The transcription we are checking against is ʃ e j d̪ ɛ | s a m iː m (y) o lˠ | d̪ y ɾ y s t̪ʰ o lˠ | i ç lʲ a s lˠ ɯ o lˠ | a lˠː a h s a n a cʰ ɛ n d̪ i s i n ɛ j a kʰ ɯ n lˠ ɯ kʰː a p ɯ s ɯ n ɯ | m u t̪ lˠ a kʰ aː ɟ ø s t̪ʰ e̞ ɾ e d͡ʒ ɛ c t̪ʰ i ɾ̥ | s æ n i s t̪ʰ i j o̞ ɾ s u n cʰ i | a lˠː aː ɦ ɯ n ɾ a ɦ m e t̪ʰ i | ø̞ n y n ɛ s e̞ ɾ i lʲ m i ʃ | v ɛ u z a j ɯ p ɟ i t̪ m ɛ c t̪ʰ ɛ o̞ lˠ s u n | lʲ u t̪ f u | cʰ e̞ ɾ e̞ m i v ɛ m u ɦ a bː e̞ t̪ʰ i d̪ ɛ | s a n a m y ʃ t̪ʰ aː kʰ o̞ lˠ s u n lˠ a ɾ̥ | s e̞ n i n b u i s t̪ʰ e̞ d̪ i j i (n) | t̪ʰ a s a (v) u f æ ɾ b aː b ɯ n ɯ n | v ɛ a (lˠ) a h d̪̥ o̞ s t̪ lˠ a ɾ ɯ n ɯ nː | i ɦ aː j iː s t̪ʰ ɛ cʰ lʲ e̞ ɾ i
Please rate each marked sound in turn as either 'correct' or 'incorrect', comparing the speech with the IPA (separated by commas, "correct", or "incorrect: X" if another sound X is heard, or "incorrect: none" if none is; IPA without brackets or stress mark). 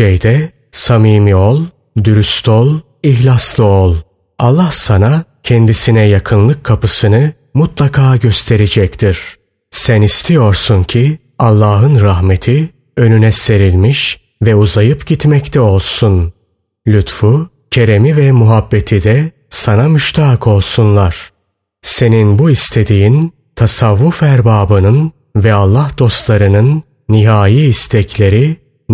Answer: incorrect: i, correct, incorrect: vː, incorrect: lˠː